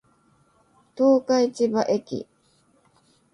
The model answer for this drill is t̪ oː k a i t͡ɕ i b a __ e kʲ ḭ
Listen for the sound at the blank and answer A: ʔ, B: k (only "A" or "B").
A